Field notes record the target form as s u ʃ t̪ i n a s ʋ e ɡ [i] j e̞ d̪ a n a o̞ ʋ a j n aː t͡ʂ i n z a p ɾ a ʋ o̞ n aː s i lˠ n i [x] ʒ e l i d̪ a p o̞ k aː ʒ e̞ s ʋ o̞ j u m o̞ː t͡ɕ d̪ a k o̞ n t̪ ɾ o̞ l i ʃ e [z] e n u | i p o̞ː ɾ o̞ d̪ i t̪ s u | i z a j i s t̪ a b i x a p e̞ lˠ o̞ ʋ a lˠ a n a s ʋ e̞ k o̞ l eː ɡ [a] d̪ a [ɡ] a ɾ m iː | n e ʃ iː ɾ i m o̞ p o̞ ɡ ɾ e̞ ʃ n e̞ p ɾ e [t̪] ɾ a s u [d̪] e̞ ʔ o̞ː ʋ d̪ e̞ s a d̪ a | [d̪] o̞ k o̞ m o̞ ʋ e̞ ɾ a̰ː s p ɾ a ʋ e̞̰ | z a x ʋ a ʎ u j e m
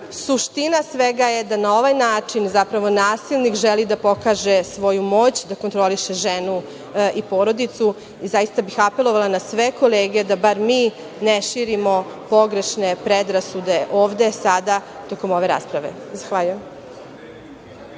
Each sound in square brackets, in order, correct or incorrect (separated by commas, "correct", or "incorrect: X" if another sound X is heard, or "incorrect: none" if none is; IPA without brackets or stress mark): incorrect: a, incorrect: k, incorrect: ʒ, incorrect: e, incorrect: b, incorrect: d̪, correct, incorrect: t̪